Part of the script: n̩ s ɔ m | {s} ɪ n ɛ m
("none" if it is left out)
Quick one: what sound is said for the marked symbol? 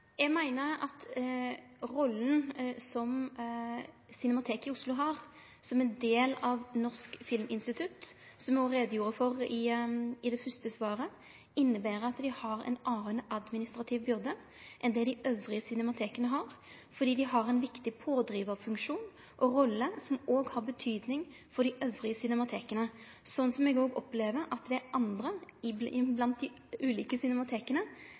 s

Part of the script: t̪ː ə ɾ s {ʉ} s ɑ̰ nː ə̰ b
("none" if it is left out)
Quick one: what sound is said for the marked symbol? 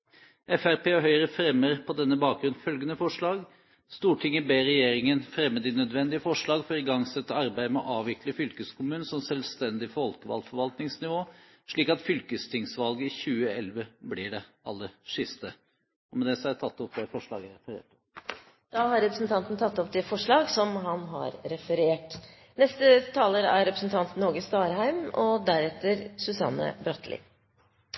ʉ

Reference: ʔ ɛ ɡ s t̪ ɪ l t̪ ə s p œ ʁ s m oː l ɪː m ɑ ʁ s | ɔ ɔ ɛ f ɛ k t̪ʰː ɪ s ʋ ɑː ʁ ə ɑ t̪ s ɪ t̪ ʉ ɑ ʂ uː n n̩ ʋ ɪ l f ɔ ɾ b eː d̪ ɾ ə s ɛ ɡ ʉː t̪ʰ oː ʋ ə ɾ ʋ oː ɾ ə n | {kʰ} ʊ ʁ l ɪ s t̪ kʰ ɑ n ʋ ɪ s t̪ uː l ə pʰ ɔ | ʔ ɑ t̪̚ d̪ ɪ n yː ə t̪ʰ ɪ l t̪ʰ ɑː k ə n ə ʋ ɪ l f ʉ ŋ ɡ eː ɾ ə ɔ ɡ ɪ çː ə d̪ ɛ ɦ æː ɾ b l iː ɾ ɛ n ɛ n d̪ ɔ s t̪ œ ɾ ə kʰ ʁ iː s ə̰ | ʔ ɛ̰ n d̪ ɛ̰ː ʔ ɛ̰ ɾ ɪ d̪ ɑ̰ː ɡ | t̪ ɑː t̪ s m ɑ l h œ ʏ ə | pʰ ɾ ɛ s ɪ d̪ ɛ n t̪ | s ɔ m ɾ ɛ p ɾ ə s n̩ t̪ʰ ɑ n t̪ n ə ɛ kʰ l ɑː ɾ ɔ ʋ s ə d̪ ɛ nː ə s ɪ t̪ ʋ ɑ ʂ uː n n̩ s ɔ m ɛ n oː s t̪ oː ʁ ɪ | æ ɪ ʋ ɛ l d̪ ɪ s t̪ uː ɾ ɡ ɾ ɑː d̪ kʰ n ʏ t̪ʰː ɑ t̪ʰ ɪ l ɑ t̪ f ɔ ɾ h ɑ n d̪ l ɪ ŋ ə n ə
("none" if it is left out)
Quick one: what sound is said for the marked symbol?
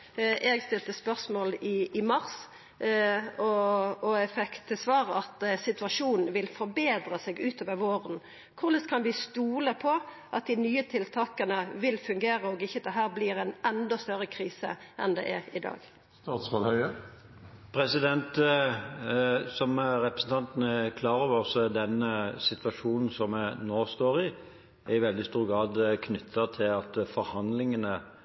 kʰ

